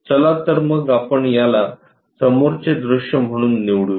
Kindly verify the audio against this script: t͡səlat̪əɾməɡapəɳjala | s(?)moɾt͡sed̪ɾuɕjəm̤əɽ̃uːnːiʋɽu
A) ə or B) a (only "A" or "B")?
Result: A